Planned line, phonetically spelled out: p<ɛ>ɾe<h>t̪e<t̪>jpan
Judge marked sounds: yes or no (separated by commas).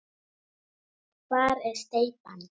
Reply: no, no, no